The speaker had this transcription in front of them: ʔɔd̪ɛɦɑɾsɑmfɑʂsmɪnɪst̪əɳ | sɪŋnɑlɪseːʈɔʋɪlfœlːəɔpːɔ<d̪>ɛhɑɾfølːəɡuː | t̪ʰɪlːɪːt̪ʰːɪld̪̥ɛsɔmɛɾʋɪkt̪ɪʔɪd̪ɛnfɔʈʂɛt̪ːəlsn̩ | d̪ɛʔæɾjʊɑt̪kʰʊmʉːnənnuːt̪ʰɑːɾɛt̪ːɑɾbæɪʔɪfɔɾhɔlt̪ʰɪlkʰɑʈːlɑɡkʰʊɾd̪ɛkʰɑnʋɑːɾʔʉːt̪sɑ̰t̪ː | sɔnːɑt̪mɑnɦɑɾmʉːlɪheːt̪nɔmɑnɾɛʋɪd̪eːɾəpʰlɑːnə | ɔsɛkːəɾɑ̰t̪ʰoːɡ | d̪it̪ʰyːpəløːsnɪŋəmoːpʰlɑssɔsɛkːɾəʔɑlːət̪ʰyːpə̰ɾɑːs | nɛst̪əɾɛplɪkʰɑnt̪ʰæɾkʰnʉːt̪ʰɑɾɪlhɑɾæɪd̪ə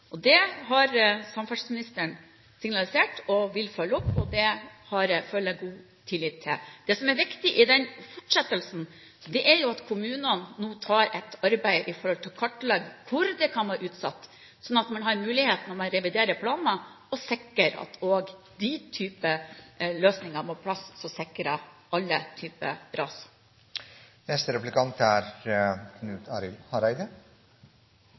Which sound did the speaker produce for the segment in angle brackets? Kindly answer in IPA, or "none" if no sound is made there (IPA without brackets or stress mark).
d̪